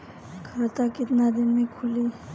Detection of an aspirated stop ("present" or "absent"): present